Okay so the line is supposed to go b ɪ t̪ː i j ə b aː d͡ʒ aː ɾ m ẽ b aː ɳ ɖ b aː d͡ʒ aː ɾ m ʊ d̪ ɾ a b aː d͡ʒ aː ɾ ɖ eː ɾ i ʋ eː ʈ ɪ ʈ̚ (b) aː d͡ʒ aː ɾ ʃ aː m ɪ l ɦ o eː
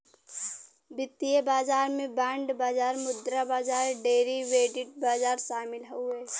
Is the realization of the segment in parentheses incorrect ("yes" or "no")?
no